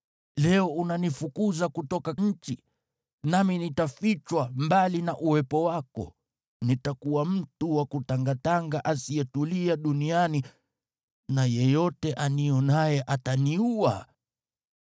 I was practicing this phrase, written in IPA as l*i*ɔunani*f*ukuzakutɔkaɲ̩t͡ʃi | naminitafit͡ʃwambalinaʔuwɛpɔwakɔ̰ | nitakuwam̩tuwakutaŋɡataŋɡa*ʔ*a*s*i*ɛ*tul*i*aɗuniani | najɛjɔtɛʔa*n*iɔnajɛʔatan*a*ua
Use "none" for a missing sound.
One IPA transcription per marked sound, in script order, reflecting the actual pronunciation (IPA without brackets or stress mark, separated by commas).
ɛ, f, ʔ, s, ɛ, i, n, i